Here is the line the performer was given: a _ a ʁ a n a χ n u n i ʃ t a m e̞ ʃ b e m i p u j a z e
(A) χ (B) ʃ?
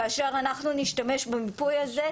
B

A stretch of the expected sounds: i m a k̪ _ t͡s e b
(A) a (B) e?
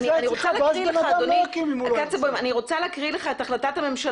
A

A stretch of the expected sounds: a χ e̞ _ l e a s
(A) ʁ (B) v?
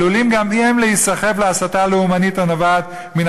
B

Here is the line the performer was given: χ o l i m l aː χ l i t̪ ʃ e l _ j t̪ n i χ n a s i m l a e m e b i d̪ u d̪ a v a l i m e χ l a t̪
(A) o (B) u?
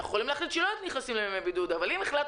A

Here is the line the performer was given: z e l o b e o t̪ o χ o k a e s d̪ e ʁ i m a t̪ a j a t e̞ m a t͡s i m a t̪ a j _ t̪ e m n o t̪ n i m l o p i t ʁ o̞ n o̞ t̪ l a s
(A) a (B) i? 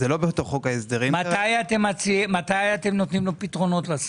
A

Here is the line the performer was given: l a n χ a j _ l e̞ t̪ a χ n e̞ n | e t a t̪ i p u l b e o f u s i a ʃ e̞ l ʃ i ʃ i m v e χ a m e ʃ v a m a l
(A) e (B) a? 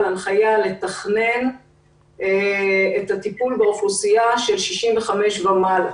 B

